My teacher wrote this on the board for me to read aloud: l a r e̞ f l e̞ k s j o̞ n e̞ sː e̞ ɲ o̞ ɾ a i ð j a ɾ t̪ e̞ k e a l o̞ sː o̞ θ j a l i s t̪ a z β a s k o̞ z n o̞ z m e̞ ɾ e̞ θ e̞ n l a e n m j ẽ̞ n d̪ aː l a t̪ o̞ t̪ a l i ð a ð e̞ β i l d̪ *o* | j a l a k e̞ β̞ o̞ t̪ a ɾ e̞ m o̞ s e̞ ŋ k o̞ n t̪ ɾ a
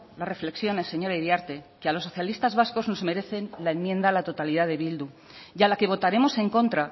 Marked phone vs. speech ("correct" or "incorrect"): incorrect